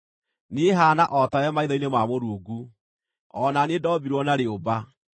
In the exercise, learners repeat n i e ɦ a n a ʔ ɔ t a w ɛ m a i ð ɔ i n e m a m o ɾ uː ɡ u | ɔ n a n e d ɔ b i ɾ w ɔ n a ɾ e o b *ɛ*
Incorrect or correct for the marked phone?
incorrect: a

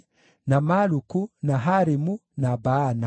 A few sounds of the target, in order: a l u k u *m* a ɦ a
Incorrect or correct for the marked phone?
incorrect: n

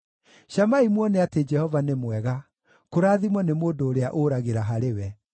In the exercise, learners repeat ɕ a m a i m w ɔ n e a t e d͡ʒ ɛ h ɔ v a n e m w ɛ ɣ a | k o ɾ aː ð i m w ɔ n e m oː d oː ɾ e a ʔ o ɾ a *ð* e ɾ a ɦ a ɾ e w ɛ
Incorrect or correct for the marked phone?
incorrect: ɣ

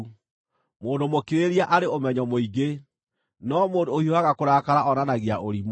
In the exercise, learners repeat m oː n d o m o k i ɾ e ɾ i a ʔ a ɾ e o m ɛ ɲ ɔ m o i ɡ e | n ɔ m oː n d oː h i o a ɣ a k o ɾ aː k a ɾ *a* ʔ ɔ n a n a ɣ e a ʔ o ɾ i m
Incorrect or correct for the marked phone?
correct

